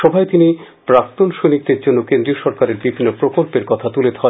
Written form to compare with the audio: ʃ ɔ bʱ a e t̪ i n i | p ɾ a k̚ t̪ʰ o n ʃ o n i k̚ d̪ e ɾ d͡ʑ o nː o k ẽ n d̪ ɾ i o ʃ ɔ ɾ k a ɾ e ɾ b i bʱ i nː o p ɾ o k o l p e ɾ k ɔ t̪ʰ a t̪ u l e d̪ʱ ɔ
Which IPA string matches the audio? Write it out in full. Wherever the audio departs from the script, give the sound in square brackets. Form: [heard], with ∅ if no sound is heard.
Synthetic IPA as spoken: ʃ ɔ bʱ a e t̪ i n i | p ɾ a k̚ [t̪] o n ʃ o n i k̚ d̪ e ɾ d͡ʑ o nː o k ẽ n d̪ ɾ i o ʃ ɔ ɾ k a ɾ e ɾ b i bʱ i nː o p ɾ o k o l p e ɾ k ɔ t̪ʰ a t̪ u l e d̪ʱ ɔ